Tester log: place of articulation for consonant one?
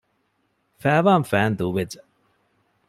labial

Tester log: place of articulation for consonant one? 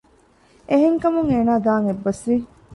glottal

